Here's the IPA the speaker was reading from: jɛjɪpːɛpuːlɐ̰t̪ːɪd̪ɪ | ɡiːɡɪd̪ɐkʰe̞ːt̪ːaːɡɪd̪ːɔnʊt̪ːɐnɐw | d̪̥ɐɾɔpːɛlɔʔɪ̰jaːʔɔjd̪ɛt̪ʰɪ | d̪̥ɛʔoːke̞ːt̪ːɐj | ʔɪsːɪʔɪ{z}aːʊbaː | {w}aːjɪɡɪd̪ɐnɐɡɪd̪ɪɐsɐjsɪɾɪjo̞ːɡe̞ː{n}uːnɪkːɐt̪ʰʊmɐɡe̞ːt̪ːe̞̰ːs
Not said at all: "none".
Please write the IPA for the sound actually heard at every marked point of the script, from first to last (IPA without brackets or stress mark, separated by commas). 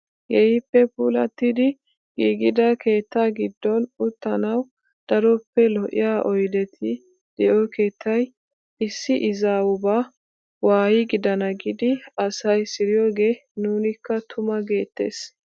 z, w, n